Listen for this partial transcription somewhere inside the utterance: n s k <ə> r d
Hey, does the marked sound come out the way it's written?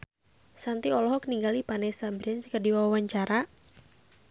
yes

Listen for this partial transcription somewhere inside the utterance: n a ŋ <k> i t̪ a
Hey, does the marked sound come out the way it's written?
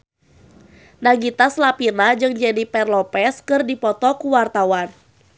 no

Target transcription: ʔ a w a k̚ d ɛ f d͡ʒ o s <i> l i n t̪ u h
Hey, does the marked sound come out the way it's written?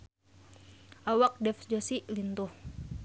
yes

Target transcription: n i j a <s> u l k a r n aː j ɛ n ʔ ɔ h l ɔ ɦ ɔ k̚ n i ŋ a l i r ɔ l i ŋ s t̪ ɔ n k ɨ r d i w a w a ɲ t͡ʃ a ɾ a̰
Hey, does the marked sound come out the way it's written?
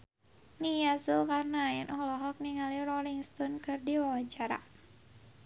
yes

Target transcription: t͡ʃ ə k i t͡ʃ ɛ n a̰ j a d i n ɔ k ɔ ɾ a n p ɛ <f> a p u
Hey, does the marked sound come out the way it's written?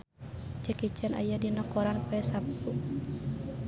no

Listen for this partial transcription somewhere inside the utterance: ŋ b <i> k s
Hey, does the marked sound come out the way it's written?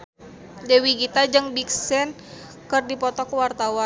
yes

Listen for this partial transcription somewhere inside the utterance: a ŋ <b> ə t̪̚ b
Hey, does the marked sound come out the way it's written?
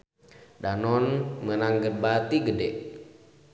no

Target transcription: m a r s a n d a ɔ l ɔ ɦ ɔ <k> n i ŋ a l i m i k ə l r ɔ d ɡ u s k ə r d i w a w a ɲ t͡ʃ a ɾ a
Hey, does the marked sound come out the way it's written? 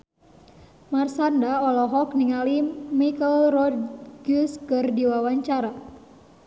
yes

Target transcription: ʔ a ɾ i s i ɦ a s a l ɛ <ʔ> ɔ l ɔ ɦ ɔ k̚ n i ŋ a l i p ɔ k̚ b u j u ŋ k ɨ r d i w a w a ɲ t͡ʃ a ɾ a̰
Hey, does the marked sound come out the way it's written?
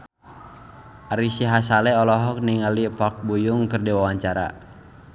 no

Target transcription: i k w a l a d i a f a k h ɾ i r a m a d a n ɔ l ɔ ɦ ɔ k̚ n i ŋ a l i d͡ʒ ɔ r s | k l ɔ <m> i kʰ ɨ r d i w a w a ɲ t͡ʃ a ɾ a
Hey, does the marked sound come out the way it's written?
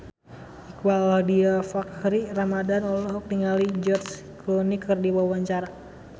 no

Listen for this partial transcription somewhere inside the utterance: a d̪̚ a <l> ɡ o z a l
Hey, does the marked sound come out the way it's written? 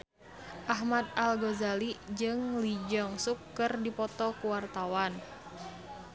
yes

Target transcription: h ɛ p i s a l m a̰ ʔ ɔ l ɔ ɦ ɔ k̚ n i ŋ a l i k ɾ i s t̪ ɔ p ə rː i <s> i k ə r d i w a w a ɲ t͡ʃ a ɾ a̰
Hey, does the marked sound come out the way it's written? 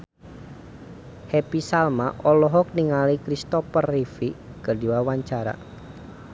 no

